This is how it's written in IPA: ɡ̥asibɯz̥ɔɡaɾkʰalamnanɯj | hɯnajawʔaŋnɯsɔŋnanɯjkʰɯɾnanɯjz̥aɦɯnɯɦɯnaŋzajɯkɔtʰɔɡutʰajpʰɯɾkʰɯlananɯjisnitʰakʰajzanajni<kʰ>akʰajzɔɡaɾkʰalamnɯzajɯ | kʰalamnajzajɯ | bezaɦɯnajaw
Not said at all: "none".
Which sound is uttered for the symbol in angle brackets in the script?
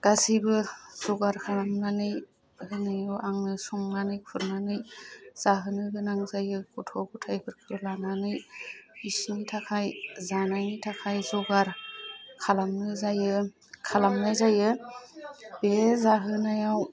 tʰ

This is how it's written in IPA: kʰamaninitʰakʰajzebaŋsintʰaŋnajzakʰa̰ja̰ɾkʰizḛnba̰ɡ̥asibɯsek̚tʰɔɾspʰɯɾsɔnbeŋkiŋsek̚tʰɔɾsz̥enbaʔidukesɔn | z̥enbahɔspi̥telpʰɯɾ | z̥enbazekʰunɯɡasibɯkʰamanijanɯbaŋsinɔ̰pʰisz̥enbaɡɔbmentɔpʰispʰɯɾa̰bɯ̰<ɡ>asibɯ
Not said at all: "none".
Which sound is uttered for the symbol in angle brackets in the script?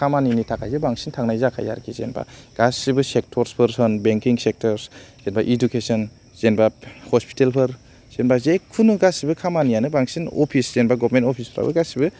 ɡ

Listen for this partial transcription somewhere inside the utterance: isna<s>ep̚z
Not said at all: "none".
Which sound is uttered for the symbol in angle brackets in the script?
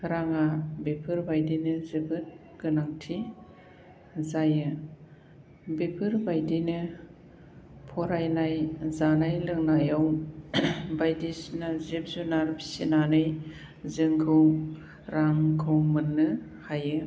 z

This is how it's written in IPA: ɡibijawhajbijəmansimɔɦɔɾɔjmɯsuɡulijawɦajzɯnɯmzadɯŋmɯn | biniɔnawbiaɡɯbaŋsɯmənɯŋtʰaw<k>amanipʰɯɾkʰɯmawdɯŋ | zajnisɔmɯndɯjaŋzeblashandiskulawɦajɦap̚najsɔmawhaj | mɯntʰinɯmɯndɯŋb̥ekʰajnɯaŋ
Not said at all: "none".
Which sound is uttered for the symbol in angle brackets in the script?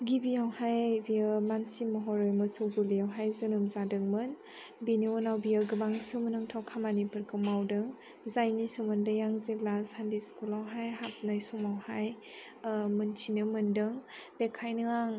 kʰ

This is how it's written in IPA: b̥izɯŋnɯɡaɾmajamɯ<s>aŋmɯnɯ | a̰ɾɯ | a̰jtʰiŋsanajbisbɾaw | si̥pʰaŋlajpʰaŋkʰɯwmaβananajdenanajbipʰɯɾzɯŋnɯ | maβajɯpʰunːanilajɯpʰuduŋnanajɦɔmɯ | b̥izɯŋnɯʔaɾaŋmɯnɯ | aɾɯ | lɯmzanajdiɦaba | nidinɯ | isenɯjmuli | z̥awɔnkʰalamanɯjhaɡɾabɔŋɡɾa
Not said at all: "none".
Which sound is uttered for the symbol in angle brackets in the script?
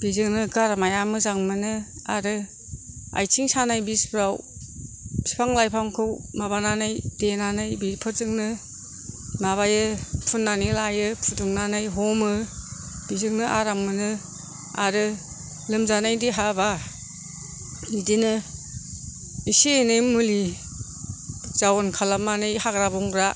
z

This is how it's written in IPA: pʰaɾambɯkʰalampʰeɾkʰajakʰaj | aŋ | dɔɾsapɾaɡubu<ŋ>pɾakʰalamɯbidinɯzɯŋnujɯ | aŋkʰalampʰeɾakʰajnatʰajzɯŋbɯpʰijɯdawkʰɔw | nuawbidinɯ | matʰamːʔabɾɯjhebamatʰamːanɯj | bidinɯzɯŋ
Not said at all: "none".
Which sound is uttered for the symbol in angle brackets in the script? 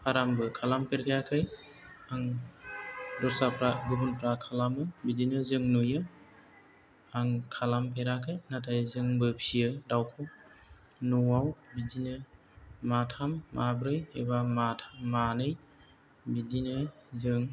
n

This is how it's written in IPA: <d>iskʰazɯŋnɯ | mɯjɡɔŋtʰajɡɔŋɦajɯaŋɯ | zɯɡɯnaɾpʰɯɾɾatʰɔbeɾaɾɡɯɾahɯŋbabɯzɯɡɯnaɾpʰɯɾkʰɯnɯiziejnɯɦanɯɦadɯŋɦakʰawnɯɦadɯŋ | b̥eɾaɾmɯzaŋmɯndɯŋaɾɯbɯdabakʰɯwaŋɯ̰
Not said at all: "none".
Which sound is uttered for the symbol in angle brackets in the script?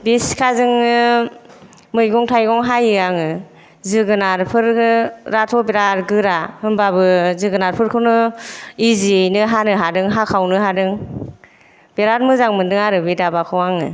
b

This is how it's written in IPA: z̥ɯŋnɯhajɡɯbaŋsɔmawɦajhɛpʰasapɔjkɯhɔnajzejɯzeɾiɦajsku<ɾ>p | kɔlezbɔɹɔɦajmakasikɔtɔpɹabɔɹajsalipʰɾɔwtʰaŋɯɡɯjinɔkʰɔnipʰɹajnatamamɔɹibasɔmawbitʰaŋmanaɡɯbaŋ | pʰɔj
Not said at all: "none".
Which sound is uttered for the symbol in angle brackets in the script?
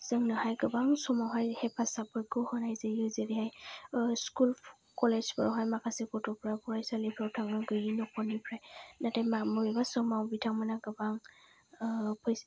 l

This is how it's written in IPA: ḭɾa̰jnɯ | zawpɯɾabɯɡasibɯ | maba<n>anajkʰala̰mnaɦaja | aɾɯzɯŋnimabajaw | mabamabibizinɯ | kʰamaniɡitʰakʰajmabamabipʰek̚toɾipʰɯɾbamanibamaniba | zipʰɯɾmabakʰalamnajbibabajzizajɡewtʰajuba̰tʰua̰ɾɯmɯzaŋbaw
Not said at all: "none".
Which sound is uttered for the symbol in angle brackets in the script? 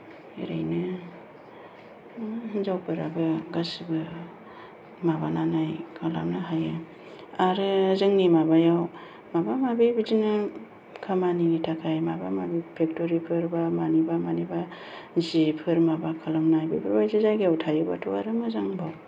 n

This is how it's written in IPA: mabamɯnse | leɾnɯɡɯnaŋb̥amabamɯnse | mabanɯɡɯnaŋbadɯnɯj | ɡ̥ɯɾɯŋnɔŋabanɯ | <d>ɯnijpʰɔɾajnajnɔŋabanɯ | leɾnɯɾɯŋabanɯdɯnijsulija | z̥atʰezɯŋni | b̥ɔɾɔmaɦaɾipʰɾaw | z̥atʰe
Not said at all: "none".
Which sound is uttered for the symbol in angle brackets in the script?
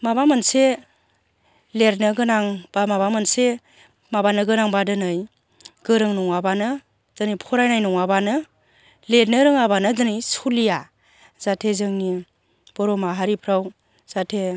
d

